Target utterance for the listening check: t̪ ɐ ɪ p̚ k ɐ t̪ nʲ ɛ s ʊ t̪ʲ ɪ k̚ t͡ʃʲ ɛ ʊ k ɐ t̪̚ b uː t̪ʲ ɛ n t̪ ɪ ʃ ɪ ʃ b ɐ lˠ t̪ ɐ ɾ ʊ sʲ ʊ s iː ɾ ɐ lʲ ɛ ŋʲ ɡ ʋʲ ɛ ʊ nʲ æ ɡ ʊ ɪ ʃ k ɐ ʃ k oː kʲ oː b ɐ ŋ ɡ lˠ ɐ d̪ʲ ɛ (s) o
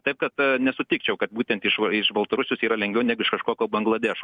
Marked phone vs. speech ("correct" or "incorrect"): incorrect